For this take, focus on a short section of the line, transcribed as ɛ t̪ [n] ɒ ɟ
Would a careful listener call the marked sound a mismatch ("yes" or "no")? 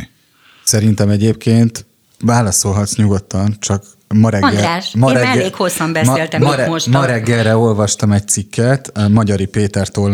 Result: yes